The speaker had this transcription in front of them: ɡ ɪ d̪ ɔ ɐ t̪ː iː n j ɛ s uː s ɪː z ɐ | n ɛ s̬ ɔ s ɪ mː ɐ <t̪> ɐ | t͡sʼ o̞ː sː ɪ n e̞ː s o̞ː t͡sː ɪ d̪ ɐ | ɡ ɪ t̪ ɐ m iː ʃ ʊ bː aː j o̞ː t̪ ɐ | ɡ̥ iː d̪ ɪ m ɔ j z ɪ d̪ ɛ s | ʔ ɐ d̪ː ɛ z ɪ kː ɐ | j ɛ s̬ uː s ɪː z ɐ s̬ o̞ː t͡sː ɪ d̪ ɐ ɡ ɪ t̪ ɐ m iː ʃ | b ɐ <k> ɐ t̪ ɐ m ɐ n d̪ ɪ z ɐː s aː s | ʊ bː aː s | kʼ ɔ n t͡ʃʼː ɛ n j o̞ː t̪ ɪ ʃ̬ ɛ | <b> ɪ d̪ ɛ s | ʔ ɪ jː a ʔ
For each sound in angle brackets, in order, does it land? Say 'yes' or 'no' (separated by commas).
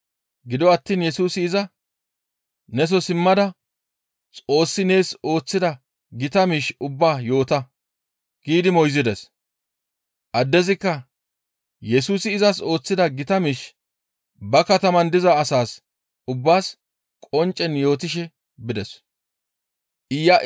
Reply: no, yes, yes